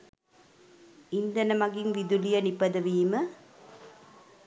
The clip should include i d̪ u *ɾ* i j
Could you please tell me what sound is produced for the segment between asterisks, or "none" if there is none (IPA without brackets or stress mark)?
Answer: l